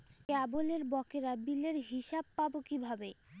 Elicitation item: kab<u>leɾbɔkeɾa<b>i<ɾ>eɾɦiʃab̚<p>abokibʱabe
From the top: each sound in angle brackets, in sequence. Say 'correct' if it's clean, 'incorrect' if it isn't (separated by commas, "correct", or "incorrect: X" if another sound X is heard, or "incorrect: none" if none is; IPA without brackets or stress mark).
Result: incorrect: o, correct, incorrect: l, correct